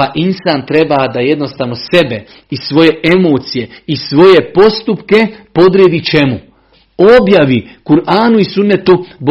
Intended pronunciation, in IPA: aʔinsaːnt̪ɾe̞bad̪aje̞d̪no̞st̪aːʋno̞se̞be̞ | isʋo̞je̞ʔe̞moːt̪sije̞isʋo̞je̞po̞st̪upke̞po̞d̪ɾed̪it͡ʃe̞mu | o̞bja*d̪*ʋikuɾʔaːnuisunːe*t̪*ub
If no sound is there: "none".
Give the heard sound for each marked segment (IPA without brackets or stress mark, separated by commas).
none, t̪